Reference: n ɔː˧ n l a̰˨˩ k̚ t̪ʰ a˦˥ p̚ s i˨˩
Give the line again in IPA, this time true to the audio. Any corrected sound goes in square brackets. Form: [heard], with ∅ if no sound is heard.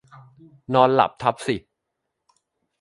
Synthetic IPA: n ɔː˧ n l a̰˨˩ [p̚] t̪ʰ a˦˥ p̚ s i˨˩